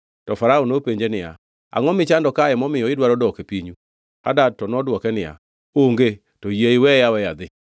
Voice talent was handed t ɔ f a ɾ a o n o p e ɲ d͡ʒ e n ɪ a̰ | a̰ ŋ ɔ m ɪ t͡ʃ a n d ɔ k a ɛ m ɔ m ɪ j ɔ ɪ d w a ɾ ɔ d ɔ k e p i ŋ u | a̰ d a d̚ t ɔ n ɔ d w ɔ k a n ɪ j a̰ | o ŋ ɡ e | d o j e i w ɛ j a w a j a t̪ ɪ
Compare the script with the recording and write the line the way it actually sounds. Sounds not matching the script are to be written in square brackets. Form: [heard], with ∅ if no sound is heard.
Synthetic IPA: t ɔ f a ɾ a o n o p e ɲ d͡ʒ e n ɪ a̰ | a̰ ŋ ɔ m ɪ t͡ʃ a n d ɔ k a ɛ m ɔ m ɪ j ɔ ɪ d w a ɾ ɔ d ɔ k e p i [ɲ] u | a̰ d a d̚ t ɔ n ɔ d w ɔ k [ɛ] n ɪ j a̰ | o ŋ ɡ e | [t] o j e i w ɛ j a w [ɛ] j a [d̪] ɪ